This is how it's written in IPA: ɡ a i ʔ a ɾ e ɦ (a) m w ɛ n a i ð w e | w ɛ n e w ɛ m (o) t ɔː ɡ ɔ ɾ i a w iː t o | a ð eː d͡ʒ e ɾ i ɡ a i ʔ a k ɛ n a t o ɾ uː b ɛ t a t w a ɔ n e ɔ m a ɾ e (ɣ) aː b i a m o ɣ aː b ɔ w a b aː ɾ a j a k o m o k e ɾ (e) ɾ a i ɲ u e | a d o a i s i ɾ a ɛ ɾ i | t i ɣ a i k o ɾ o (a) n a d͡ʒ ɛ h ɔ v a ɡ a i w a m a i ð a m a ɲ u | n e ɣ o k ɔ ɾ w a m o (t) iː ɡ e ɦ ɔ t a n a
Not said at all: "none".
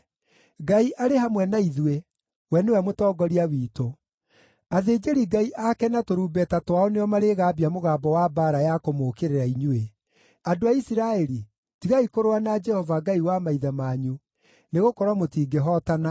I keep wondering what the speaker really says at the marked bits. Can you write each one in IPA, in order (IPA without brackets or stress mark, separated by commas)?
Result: a, o, ɣ, e, a, t